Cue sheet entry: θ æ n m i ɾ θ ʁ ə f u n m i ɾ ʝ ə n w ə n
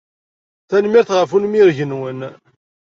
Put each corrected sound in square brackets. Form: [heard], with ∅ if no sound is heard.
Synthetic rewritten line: θ æ n m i ɾ θ ʁ ə f u n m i ɾ ʝ ə n w ə n